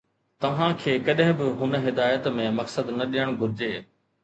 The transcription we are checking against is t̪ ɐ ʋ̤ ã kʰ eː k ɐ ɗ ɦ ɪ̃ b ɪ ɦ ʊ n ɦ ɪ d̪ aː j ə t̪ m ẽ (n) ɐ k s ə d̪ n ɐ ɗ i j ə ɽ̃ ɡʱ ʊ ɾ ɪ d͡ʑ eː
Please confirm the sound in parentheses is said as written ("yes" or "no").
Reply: no